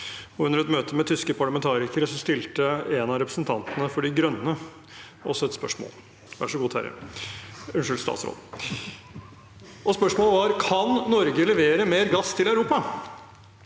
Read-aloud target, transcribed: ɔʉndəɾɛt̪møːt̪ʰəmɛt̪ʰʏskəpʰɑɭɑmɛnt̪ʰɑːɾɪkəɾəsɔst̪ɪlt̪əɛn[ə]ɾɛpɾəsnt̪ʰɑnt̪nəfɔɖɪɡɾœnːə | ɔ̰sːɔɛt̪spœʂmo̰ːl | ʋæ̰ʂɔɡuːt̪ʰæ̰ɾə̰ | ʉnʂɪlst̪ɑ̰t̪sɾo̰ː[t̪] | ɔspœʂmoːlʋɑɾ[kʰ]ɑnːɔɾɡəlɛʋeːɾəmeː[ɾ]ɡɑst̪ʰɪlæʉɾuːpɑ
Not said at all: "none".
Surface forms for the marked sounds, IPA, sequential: ɑ, d̪, kʰ, ɾ

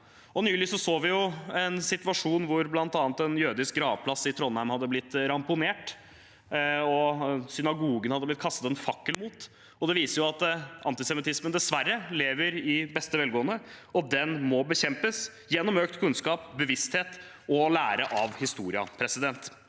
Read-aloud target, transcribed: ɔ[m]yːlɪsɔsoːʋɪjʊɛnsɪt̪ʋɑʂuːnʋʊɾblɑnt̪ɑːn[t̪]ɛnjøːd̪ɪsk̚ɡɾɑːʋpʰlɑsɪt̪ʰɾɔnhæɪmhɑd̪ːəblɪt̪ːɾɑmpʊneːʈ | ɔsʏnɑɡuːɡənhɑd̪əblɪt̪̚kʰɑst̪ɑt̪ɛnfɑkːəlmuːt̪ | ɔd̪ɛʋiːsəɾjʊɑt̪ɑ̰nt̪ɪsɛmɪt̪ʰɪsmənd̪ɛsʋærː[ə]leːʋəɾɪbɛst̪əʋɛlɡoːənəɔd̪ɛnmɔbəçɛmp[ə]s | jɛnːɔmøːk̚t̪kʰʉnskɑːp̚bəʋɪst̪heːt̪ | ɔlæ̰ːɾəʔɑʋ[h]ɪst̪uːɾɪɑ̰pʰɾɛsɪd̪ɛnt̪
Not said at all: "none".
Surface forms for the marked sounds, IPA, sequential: n, t̪, ə, ə, h

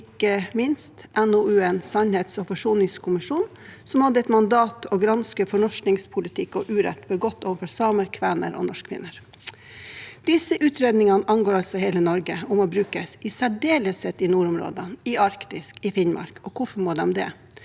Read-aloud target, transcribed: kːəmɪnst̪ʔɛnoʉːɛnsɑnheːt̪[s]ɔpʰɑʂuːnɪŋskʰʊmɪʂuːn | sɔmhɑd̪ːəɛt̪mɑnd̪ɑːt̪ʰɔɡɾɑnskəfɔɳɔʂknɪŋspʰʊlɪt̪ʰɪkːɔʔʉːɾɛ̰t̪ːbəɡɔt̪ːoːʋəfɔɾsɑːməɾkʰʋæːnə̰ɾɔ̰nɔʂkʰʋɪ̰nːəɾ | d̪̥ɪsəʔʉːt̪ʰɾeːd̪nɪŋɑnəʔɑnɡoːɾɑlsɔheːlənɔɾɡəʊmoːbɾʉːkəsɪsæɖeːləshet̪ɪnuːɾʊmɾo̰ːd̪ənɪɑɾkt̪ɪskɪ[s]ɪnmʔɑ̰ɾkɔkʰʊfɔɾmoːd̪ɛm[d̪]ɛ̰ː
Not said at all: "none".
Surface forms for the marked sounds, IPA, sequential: s, f, d̪

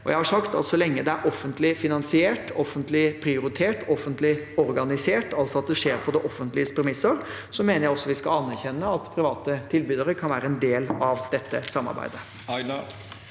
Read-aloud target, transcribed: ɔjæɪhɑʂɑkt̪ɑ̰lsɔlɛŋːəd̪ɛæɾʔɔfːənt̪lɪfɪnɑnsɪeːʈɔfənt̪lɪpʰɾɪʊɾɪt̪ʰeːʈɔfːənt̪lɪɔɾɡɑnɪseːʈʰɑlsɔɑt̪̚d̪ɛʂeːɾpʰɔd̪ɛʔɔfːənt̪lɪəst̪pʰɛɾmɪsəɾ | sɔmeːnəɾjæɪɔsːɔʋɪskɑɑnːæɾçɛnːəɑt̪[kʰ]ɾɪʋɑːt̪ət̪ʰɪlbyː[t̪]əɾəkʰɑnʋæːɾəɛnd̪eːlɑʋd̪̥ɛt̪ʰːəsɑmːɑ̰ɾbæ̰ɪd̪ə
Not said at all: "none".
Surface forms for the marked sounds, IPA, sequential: pʰ, d̪

